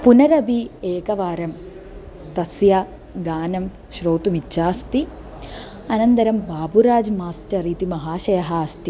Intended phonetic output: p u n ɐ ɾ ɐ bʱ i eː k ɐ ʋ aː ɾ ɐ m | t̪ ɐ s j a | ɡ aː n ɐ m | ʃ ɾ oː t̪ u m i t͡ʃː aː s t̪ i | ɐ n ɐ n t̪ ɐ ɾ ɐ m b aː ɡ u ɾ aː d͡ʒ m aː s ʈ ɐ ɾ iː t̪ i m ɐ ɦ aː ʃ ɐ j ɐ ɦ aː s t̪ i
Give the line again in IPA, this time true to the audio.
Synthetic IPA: p u n ɐ ɾ ɐ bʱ i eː k ɐ ʋ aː ɾ ɐ m | t̪ ɐ s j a | ɡ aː n ɐ m | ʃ ɾ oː t̪ u m i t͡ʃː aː s t̪ i | ɐ n ɐ n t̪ ɐ ɾ ɐ m b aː b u ɾ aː d͡ʒ m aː s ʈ ɐ ɾ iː t̪ i m ɐ ɦ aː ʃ ɐ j ɐ ɦ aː s t̪ i